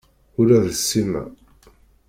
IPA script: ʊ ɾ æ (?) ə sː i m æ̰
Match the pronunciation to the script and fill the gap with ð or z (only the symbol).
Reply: ð